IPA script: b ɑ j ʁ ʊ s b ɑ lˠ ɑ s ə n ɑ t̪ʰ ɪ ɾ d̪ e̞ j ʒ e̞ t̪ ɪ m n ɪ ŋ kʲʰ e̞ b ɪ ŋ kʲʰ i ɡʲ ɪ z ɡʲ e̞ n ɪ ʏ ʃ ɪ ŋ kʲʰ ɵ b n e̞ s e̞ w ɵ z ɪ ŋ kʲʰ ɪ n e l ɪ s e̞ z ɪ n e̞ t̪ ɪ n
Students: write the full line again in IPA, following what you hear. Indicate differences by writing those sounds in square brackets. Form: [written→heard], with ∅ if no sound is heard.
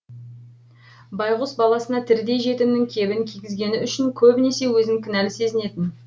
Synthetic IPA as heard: b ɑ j ʁ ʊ s b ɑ lˠ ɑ s ə n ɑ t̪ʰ ɪ ɾ d̪ e̞ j ʒ e̞ t̪ ɪ m n ɪ ŋ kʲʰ e̞ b ɪ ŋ kʲʰ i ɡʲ ɪ z ɡʲ e̞ n ɪ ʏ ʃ ɪ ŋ kʲʰ ɵ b n e̞ s e̞ w ɵ z ɪ ŋ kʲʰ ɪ n [e→æ] l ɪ s e̞ z ɪ n e̞ t̪ ɪ n